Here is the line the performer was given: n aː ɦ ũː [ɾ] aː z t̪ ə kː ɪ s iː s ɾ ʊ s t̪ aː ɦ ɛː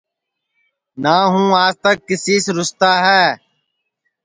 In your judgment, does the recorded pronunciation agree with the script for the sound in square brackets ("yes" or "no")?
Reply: no